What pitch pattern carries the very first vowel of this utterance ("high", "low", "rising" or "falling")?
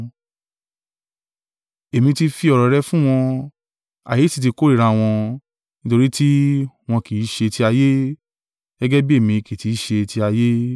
low